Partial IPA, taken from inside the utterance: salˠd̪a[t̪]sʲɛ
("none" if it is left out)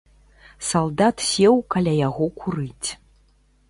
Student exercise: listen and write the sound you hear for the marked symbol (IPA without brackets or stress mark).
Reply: t̪